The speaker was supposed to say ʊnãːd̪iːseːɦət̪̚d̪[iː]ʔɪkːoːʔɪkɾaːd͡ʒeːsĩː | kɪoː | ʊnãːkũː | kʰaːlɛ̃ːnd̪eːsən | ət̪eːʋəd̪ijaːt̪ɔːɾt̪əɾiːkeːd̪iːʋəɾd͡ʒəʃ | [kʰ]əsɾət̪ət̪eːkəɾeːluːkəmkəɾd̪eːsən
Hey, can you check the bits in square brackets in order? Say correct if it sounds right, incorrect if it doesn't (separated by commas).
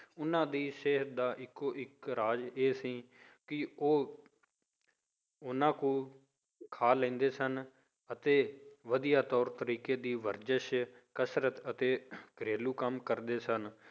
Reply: incorrect, incorrect